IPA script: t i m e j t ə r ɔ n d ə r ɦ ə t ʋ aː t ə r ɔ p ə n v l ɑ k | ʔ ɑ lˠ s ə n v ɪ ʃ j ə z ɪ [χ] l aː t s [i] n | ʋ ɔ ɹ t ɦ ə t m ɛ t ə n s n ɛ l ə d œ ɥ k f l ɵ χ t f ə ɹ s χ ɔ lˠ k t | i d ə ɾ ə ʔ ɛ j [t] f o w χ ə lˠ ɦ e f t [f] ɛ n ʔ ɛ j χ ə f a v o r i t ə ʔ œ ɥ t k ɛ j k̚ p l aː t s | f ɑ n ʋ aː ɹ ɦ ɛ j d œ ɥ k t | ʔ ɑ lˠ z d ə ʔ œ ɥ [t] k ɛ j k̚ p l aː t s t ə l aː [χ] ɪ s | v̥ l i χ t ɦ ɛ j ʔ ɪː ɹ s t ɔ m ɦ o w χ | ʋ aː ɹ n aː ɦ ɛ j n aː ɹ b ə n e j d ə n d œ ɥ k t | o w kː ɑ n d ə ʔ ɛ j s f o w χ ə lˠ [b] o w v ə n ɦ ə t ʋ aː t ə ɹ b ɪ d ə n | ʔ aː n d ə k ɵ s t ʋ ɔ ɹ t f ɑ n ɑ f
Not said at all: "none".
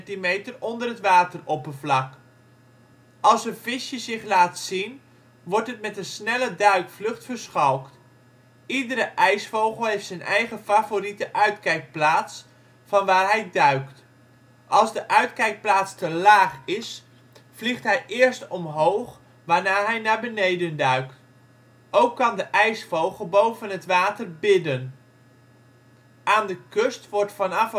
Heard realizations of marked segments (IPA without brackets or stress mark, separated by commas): χ, i, s, s, t, χ, b